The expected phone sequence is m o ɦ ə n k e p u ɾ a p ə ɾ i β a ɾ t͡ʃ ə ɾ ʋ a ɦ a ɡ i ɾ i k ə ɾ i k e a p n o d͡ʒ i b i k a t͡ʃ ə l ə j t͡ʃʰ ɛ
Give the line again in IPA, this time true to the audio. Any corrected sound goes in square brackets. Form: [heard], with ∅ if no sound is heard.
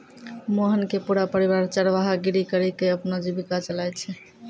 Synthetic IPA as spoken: m o ɦ ə n k e p u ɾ a p ə ɾ i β a ɾ t͡ʃ ə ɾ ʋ a ɦ a ɡ i ɾ i k ə ɾ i k e [ə] p n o d͡ʒ i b i k a t͡ʃ ə l [a] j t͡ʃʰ ɛ